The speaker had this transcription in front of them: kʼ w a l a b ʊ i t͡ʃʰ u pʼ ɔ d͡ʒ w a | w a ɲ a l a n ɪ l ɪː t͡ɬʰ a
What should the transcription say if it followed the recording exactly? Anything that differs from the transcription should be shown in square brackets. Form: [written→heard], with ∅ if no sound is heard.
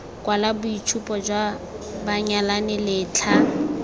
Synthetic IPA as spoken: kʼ w a l a b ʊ i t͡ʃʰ u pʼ ɔ d͡ʒ w a | [w→b] a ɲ a l a n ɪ l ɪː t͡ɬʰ a